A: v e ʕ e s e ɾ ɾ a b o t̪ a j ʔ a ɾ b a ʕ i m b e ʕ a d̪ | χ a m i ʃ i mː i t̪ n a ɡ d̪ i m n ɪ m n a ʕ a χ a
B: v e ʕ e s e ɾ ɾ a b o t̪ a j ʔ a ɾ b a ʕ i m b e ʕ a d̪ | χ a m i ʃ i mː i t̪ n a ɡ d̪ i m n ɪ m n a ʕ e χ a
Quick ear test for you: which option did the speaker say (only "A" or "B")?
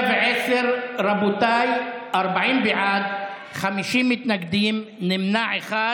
B